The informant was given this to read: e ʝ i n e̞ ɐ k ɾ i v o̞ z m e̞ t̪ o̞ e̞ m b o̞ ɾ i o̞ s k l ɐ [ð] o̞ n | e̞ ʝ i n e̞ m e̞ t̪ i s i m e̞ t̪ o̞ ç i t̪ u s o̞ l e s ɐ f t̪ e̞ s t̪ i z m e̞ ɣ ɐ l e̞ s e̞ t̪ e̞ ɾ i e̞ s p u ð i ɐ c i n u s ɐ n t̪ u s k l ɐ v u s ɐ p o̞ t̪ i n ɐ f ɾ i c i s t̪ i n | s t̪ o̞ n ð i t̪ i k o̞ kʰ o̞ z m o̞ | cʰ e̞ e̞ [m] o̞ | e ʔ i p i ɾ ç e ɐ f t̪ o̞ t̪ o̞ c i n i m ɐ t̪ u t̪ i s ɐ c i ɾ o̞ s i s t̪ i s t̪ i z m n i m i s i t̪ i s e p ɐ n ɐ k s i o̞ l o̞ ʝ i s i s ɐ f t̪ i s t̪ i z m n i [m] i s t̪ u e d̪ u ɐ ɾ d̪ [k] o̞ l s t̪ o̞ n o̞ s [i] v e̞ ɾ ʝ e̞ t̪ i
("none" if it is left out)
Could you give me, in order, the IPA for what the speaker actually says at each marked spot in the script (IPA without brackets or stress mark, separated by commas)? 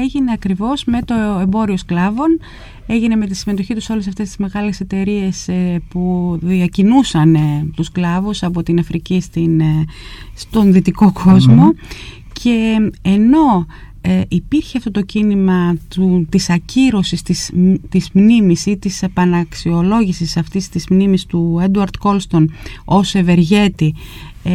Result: v, n, m, k, e